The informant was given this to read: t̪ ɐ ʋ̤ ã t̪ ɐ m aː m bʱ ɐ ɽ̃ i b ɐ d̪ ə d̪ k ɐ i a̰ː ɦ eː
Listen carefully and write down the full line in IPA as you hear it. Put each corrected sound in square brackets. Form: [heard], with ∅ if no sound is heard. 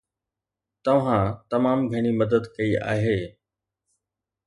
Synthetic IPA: t̪ ɐ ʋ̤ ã t̪ ɐ m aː m [ɡʱ] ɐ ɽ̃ i [m] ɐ d̪ ə d̪ k ɐ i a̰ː ɦ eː